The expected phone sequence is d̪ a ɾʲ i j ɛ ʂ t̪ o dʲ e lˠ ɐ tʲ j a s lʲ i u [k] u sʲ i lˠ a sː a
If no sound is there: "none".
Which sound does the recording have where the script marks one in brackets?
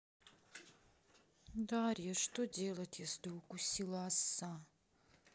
k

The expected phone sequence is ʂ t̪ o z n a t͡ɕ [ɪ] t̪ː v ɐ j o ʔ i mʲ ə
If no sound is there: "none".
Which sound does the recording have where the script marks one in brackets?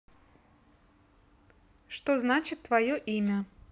ɪ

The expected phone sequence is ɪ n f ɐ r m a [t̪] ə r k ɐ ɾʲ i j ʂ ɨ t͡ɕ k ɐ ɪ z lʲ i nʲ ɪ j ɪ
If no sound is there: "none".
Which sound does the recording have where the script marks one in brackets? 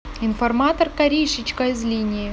t̪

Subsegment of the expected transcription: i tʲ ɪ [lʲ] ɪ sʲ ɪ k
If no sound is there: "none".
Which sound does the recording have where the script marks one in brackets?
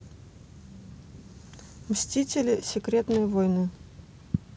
lʲ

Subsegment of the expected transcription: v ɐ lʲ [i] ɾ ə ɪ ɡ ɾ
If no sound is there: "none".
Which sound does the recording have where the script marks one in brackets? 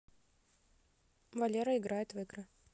e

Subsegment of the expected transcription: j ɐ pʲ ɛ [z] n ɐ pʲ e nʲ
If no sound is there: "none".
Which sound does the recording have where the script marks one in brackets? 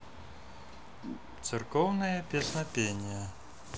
s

